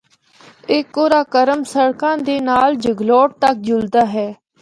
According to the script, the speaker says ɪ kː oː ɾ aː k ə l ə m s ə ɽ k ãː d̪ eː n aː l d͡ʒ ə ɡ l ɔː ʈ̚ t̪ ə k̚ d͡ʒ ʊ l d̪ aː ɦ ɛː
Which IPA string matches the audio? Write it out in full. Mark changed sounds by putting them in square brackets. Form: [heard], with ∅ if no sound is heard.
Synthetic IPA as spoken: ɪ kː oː ɾ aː k ə [ɾ] ə m s ə ɽ k ãː d̪ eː n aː l d͡ʒ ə ɡ l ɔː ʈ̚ t̪ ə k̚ d͡ʒ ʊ l d̪ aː ɦ ɛː